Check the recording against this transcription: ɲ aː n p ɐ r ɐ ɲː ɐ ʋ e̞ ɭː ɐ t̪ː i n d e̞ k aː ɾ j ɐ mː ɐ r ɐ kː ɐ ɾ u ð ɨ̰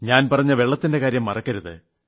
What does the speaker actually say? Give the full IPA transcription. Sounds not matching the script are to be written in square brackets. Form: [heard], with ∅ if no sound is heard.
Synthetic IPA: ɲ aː n p ɐ r ɐ ɲː ɐ ʋ e̞ ɭː ɐ t̪ː i n d e̞ k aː ɾ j ɐ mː ɐ r ɐ kː ɐ ɾ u ð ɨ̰

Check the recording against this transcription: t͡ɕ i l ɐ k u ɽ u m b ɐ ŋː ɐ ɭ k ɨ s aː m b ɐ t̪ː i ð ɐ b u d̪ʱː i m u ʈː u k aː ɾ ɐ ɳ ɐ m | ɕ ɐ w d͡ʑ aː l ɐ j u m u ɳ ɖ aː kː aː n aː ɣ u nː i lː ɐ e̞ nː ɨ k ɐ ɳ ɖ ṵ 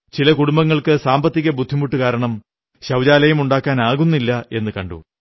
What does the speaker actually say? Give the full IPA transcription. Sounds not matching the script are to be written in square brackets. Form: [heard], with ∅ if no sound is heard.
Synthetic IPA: t͡ɕ i l ɐ k u ɽ u m b ɐ ŋː ɐ ɭ k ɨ s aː m b ɐ t̪ː i [ɣ] ɐ b u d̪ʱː i m u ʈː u k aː ɾ ɐ ɳ ɐ m | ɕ ɐ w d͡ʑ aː l ɐ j u m u ɳ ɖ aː kː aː n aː ɣ u nː i lː ɐ e̞ nː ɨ k ɐ ɳ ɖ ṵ

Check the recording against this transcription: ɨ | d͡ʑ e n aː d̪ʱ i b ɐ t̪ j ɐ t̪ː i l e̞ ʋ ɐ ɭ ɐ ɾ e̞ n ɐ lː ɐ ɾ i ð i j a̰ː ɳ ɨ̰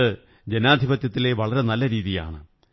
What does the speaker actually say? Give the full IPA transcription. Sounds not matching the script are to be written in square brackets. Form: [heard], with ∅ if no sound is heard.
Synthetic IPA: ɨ | d͡ʑ e n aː d̪ʱ i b ɐ t̪ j ɐ t̪ː i l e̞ ʋ ɐ ɭ ɐ ɾ e̞ n ɐ lː ɐ ɾ [iː] ð i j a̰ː ɳ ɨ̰

